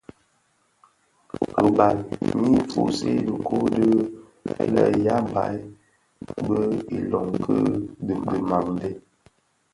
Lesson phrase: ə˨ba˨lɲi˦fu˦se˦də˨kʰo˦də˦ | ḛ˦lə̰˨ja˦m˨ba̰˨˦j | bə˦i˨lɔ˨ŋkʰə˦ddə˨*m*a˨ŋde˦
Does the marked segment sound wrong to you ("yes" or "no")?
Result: no